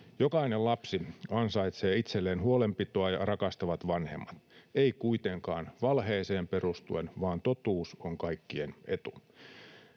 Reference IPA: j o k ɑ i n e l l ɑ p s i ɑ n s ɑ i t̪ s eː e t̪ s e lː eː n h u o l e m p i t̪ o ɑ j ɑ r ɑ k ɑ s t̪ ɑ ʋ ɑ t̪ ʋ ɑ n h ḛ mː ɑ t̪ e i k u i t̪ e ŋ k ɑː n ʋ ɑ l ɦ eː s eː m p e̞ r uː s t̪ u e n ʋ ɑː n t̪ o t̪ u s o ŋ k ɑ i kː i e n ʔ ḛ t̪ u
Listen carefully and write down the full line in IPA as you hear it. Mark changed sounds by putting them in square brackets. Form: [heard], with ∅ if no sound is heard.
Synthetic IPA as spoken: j o k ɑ i n e l l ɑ p s i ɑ n s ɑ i t̪ s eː [i] t̪ s e lː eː n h u o l e m p i t̪ o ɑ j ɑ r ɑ k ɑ s t̪ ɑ ʋ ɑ t̪ ʋ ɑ n h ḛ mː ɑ t̪ e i k u i t̪ e ŋ k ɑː n ʋ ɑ l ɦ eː s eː m p e̞ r [u] s t̪ u e n ʋ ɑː n t̪ o t̪ [uː] s o ŋ k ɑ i kː i e n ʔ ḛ t̪ u